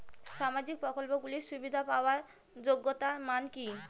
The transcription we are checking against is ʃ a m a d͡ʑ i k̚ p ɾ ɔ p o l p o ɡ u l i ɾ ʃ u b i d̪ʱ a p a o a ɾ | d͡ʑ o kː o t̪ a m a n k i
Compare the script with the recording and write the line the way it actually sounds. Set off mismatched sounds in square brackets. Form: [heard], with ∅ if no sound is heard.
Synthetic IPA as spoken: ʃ a m a d͡ʑ i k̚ p ɾ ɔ [k] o l p o ɡ u l i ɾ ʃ u b i d̪ʱ a p a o a ɾ | d͡ʑ o [ɡː] o t̪ a m a n k i